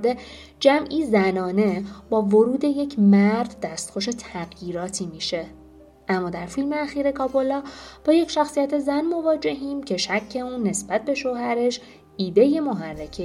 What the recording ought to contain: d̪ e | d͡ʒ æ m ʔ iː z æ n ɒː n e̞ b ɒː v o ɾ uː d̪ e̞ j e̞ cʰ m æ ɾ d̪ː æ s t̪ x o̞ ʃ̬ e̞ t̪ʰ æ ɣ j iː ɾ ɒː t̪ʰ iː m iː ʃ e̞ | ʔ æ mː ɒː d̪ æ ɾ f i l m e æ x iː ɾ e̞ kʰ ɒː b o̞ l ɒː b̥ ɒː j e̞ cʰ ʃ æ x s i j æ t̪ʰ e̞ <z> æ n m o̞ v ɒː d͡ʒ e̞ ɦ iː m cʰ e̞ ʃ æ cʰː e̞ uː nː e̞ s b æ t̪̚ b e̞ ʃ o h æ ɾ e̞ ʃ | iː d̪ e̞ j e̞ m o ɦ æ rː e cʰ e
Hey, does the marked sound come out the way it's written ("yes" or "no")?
yes